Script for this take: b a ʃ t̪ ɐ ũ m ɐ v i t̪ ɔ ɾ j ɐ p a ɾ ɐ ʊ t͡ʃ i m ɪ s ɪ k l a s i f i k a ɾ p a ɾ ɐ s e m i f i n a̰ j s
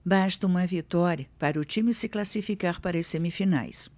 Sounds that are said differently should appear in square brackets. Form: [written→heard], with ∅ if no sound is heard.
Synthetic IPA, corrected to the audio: b a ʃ t̪ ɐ ũ m ɐ v i t̪ ɔ ɾ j ɐ p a ɾ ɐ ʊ t͡ʃ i m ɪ s ɪ k l a s i f i k a ɾ p a ɾ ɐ s e m i f i n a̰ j s